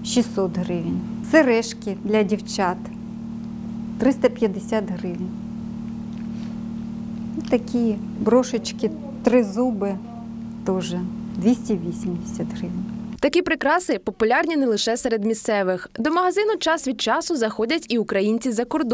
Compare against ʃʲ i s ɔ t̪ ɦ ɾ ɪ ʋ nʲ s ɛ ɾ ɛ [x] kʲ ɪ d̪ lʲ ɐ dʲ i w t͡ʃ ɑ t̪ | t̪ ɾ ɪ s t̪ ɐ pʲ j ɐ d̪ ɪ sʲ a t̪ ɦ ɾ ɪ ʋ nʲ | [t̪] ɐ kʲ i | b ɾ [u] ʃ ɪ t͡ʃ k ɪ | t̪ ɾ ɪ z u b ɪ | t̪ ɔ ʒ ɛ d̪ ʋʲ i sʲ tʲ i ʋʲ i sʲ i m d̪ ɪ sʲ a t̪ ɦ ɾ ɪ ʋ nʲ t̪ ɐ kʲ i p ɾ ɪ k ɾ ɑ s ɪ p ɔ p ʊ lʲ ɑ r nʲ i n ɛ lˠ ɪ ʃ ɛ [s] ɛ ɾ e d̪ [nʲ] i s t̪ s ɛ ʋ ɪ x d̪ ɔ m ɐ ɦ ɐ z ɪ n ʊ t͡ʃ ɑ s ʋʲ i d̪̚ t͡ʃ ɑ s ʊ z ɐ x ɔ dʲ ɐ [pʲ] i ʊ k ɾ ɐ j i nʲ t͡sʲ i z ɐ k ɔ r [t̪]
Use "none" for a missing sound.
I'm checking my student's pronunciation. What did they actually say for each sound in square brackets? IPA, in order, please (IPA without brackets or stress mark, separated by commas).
ʃ, t̪, ɔ, s, mʲ, tʲ, d̪